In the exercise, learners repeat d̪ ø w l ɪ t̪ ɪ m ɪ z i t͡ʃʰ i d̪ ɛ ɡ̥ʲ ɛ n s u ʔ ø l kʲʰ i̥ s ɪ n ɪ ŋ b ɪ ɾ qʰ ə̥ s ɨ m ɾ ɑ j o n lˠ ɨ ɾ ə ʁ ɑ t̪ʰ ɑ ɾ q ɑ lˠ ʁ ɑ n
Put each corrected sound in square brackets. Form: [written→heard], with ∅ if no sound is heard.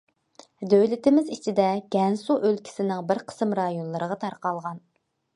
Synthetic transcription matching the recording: d̪ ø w l ɪ t̪ ɪ m ɪ z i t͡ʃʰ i d̪ ɛ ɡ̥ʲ ɛ n s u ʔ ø l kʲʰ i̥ s ɪ n ɪ ŋ b ɪ ɾ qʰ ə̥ s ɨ m ɾ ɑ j o n lˠ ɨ ɾ ə ʁ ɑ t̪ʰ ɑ ɾ q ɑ lˠ ʁ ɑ n

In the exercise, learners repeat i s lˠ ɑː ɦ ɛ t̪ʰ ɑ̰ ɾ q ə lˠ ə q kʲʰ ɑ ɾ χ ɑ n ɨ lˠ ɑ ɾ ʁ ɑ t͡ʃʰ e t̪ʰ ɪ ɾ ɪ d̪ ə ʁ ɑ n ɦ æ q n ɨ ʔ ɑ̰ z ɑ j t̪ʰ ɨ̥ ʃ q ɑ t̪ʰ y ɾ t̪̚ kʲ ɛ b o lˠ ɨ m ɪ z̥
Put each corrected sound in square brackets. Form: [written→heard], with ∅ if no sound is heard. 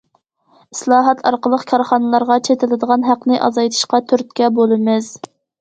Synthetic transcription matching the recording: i s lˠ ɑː ɦ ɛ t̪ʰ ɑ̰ ɾ q ə lˠ ə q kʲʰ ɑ ɾ χ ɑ n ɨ lˠ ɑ ɾ ʁ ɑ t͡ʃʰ e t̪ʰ ɪ [ɾ→l] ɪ d̪ ə ʁ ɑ n ɦ æ q n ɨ ʔ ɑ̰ z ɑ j t̪ʰ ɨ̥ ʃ q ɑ t̪ʰ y ɾ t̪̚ kʲ ɛ b o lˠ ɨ m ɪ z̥

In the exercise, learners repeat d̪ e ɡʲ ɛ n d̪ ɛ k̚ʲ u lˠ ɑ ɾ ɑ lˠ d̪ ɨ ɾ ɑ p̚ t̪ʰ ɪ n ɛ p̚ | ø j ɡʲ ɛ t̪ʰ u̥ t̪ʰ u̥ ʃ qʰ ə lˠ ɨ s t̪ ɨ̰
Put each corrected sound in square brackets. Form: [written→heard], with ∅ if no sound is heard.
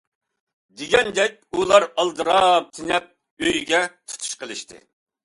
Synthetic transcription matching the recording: d̪ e ɡʲ ɛ n d̪ ɛ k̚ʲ u lˠ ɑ ɾ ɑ lˠ d̪ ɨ ɾ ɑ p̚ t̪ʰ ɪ n ɛ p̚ | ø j ɡʲ ɛ t̪ʰ u̥ t̪ʰ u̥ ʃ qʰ ə lˠ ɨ [s→ʃ] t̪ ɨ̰

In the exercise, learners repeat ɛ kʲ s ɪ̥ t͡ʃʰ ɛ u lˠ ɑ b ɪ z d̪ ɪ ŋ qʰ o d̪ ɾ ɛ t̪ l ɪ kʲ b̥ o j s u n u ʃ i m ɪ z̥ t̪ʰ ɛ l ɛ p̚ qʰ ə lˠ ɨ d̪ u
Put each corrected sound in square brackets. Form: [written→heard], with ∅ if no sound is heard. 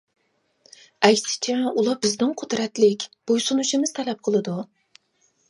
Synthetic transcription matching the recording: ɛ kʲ s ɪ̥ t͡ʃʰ ɛ u lˠ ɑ b ɪ z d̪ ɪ ŋ qʰ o d̪ ɾ ɛ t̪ l ɪ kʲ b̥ o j s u n u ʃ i m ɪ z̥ t̪ʰ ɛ l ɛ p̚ qʰ ə lˠ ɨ d̪ u

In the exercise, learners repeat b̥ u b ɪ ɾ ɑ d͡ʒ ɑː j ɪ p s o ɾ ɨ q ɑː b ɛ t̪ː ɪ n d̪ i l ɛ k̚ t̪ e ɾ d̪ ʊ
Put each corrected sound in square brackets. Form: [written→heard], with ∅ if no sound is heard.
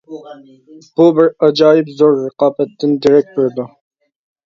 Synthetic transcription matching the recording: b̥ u b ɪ ɾ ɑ d͡ʒ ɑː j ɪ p [s→z] o ɾ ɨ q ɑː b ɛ t̪ː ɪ n d̪ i [l→ɾ] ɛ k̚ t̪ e ɾ d̪ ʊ

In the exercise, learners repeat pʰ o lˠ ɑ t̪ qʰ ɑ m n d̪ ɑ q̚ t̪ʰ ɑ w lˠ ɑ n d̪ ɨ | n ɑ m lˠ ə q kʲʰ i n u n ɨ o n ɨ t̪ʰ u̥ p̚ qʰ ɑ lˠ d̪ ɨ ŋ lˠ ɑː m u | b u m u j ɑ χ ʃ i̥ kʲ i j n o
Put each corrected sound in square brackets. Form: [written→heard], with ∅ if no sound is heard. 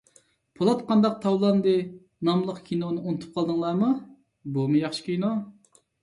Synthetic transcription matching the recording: pʰ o lˠ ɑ t̪ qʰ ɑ [m→∅] n d̪ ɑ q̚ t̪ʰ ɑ w lˠ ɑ n d̪ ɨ | n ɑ m lˠ ə q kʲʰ i n [u→o] n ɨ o n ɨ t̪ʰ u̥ p̚ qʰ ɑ lˠ d̪ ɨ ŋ lˠ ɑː m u | b u m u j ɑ χ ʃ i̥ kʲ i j n o

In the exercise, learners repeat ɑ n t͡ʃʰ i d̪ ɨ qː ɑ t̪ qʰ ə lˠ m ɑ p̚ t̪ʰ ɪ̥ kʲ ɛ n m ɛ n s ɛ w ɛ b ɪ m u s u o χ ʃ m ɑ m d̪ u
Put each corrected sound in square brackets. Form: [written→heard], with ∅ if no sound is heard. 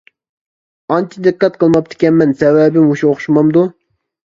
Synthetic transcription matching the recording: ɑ n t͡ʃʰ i d̪ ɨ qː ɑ t̪ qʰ ə lˠ m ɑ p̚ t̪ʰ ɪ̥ kʲ ɛ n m ɛ n s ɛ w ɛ b ɪ m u [s→ʃ] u o χ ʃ m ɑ m d̪ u

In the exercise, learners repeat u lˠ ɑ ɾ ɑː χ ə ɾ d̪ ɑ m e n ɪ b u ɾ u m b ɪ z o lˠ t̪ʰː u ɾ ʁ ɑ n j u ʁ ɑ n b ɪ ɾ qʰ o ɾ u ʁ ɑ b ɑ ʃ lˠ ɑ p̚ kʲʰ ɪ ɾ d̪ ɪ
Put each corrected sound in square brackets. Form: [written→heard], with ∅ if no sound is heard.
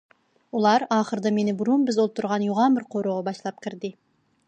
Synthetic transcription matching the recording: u lˠ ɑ ɾ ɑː χ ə ɾ d̪ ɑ m e n ɪ b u ɾ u m b ɪ z o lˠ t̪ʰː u ɾ ʁ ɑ n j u ʁ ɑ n b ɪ ɾ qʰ o ɾ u ʁ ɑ b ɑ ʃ lˠ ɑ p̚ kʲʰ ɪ ɾ d̪ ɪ

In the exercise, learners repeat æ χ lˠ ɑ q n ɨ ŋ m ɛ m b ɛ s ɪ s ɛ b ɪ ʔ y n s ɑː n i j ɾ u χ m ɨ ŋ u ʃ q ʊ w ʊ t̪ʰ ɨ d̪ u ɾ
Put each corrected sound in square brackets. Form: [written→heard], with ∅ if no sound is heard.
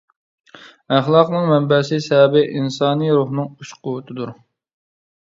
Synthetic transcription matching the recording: æ χ lˠ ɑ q n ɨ ŋ m ɛ m b ɛ s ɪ s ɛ b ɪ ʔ [y→i] n s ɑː n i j ɾ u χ [m→n] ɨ ŋ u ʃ q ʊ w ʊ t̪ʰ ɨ d̪ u ɾ

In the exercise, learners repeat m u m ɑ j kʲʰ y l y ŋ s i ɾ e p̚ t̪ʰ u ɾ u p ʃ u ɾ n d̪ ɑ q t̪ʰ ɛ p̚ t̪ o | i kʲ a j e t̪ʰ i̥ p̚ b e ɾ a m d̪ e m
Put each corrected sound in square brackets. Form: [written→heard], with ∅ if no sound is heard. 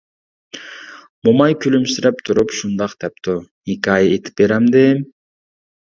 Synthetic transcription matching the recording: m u m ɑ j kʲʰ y l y [ŋ→m] s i ɾ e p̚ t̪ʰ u ɾ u p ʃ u [ɾ→∅] n d̪ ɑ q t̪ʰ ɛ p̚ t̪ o | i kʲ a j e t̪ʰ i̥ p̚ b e ɾ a m d̪ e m

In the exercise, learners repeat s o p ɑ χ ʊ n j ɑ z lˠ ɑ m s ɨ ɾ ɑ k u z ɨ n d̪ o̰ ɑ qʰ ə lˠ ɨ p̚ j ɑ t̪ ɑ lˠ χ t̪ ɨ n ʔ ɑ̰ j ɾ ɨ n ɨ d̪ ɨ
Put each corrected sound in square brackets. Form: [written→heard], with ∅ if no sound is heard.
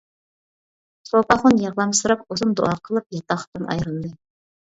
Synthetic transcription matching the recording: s o p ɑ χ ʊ n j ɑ [z→ʁ] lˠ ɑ m s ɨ ɾ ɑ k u z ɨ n d̪ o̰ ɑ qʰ ə lˠ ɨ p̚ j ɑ t̪ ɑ [lˠ→∅] χ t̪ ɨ n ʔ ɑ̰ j ɾ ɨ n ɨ d̪ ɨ

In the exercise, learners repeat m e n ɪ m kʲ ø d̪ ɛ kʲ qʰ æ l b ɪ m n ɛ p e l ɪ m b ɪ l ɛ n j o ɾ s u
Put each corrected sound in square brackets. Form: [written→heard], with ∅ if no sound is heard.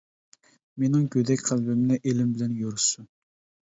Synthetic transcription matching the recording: m e n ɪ [m→ŋ] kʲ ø d̪ ɛ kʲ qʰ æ l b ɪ m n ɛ [p→ʔ] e l ɪ m b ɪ l ɛ n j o ɾ s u

